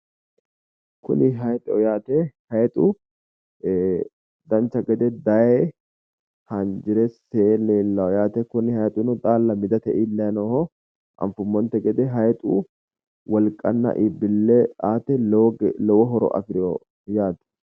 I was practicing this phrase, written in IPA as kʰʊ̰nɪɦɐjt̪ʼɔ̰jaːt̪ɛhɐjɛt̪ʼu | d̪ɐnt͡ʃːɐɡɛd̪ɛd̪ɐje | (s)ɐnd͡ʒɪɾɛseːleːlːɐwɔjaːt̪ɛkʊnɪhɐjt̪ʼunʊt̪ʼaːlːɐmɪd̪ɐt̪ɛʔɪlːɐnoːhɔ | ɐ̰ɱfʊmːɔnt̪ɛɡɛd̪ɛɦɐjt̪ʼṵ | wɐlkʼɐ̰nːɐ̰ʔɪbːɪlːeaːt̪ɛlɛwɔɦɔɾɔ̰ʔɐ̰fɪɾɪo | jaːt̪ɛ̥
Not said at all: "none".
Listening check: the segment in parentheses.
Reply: h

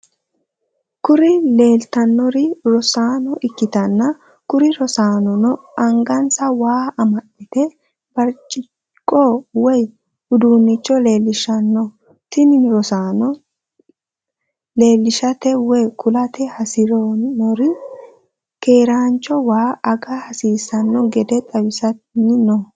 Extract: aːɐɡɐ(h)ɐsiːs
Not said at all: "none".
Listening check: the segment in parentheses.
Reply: h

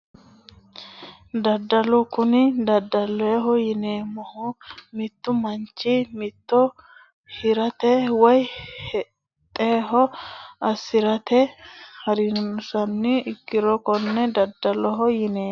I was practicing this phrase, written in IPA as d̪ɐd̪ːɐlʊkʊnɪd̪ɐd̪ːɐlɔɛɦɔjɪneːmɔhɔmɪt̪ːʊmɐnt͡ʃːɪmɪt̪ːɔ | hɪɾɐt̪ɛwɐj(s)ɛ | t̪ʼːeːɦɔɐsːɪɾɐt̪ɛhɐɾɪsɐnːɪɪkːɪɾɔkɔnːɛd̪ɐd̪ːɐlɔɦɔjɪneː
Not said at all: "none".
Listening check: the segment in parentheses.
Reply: h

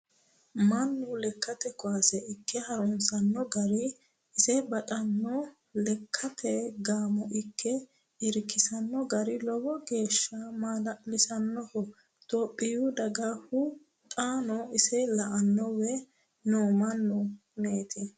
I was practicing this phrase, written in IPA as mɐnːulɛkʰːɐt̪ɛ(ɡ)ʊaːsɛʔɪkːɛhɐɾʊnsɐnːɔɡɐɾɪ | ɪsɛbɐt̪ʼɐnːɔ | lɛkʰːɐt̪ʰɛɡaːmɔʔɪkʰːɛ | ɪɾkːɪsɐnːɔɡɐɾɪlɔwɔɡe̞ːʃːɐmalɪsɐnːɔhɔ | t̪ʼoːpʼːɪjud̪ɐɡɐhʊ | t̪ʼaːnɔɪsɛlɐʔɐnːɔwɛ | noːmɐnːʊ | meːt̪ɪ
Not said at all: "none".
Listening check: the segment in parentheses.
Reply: k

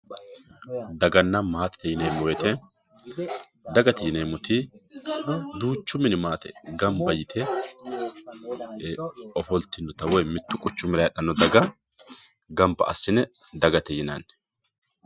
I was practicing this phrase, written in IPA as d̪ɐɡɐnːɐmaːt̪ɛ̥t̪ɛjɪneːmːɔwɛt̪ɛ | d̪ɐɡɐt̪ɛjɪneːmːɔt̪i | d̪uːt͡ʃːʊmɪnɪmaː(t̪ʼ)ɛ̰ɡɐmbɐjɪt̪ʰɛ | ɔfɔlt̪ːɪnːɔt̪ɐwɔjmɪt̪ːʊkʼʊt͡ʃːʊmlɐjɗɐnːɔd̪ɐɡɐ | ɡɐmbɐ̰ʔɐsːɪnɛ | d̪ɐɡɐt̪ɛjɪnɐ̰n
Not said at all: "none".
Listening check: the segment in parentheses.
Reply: t̪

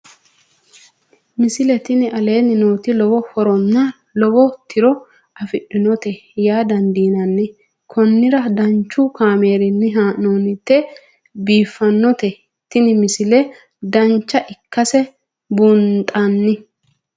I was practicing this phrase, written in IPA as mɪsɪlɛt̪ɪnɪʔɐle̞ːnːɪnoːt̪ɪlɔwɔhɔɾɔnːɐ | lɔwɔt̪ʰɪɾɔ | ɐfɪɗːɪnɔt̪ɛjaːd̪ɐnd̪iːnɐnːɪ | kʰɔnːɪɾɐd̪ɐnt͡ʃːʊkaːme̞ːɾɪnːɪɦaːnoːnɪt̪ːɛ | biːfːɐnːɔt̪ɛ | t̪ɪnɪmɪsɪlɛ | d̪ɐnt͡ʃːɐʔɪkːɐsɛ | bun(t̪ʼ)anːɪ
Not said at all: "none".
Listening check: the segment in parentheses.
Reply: t̪ʼ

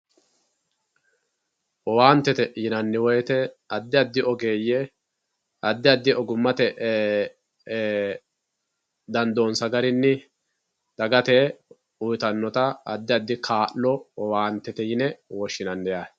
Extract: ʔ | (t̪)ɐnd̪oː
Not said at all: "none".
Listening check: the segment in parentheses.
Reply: d̪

